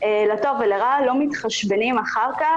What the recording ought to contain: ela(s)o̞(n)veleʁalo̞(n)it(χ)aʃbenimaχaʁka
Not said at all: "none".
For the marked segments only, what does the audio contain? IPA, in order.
t, none, m, χ

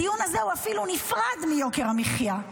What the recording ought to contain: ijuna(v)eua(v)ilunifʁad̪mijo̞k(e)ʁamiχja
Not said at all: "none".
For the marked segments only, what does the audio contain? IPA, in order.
z, f, e

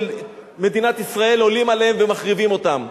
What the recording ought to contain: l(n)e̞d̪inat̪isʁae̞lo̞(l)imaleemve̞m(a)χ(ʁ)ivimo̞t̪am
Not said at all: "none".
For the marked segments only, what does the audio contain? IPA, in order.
m, l, a, ʁ

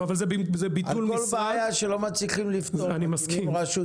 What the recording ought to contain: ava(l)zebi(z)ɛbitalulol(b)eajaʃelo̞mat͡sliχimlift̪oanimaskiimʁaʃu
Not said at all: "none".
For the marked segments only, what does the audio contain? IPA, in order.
l, z, b

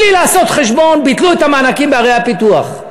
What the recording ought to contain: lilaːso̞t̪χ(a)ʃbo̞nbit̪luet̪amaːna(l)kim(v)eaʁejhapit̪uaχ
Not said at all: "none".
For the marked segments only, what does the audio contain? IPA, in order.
e, none, b

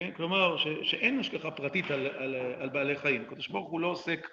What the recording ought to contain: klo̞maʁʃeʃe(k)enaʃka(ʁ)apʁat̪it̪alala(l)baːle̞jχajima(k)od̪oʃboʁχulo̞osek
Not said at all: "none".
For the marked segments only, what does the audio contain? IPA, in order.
ʔ, χ, l, k

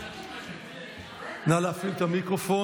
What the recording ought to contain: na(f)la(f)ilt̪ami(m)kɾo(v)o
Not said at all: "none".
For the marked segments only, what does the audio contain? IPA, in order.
none, f, none, f

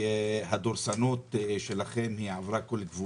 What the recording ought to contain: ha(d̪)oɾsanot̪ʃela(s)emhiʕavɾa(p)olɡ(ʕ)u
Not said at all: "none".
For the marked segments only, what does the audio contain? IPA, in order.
d̪, χ, k, v

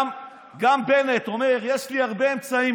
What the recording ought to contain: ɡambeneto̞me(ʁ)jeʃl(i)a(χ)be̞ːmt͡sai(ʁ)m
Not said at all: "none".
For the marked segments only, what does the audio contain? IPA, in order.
ʁ, i, ʁ, none

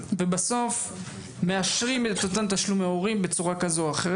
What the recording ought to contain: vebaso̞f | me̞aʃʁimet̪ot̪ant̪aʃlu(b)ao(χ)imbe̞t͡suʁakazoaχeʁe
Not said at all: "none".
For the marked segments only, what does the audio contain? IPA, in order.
m, ʁ

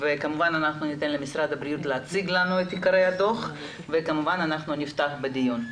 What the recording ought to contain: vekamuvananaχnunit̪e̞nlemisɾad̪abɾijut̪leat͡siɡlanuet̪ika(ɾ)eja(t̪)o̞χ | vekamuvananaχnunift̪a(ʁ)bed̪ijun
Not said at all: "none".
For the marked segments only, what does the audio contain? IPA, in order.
ɾ, d̪, χ

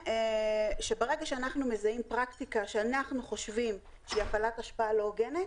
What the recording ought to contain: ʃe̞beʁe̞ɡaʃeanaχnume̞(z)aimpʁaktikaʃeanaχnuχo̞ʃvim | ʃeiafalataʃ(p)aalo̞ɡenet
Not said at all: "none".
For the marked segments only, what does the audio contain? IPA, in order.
z, p

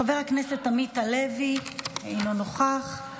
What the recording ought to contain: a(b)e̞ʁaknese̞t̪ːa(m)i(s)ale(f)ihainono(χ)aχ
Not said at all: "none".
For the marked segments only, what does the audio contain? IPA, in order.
v, m, t, v, χ

